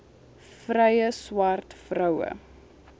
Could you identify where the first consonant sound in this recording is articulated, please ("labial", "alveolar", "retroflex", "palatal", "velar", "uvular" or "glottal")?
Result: labial